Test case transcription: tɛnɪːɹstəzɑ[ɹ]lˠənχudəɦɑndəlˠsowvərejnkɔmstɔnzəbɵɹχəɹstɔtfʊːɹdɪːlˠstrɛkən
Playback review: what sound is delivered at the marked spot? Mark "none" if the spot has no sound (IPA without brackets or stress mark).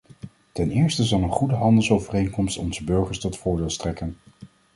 none